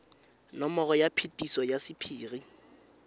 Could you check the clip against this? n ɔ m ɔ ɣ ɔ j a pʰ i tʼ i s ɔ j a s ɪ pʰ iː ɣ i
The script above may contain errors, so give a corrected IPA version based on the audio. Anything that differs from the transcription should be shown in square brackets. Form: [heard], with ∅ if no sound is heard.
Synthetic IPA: n ɔ m ɔ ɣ ɔ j a pʰ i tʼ i s ɔ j a s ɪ pʰ iː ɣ i